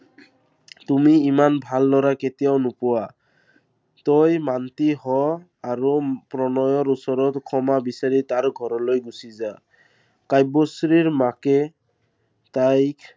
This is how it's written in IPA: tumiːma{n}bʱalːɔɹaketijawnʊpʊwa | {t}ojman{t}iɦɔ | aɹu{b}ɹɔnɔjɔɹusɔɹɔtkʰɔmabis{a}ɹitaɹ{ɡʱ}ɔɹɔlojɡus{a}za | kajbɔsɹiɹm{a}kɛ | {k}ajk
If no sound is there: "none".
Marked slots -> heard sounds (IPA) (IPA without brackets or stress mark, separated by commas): n, t, t, p, a, ɡʱ, i, a, t